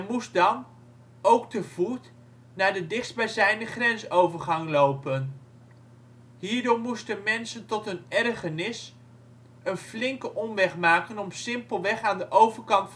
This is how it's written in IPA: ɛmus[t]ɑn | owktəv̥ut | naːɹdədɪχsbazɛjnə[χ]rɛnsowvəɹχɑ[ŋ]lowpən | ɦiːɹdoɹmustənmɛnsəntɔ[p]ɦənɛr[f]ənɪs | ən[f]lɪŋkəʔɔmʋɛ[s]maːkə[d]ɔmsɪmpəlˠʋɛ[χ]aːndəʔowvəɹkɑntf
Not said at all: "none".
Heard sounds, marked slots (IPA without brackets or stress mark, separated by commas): d, χ, ŋ, t, χ, f, χ, n, χ